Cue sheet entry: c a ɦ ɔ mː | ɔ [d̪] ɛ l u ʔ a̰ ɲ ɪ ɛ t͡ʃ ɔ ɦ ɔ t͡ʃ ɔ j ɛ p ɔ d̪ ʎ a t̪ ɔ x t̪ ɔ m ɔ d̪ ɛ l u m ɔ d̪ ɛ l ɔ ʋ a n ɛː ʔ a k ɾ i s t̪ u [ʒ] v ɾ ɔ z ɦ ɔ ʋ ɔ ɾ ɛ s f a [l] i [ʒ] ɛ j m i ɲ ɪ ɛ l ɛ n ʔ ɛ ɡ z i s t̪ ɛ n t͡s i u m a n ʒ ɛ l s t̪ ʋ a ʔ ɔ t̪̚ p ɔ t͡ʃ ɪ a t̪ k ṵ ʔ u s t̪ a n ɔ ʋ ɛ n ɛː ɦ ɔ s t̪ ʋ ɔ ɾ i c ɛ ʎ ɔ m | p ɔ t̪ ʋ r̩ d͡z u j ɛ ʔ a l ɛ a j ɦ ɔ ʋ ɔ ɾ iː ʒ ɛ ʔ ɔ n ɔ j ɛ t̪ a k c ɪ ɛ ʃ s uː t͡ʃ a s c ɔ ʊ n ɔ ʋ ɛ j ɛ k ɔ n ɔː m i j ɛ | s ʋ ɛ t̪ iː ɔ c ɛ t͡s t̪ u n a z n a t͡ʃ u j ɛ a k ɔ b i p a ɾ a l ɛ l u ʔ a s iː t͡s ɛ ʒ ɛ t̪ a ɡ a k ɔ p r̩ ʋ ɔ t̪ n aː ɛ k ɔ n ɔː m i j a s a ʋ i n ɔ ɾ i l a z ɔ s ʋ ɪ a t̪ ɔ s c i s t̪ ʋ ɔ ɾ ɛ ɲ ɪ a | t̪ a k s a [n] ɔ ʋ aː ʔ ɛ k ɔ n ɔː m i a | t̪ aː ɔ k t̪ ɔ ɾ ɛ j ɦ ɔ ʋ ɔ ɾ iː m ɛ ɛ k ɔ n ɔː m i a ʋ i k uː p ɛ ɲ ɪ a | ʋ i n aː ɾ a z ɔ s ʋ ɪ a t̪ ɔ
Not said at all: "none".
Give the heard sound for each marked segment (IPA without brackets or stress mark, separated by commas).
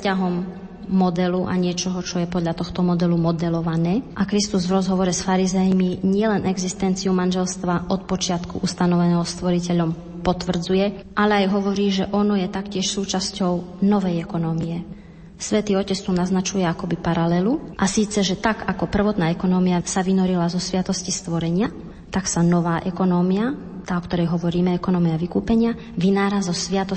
d̪, z, ɾ, z, n